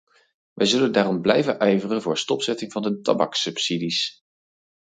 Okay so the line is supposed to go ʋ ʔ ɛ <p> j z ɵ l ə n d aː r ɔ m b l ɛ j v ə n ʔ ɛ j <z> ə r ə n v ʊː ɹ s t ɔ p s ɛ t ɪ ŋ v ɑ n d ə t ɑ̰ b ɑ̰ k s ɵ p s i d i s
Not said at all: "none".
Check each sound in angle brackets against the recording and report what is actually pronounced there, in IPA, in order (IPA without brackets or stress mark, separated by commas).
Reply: none, v